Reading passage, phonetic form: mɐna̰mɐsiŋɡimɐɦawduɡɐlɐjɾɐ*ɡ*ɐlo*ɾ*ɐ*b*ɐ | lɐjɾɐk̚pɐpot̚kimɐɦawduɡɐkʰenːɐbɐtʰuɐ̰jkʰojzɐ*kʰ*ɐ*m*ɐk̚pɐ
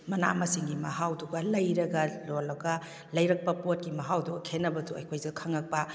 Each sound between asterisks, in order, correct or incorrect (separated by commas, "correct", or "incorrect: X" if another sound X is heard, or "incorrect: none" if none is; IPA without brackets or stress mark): correct, incorrect: l, incorrect: ɡ, correct, incorrect: ŋ